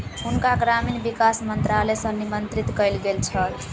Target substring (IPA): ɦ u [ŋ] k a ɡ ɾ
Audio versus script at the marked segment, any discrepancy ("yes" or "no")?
yes